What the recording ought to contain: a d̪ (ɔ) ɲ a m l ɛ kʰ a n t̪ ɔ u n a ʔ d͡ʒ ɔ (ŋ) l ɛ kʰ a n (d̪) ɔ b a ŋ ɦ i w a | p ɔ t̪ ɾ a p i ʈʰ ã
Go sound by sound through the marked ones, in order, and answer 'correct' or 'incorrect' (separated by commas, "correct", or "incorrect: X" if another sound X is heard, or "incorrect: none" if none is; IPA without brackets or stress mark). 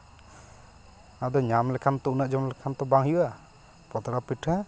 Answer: correct, incorrect: m, incorrect: t̪